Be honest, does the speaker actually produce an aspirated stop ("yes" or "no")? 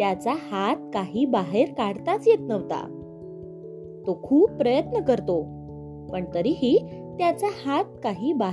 yes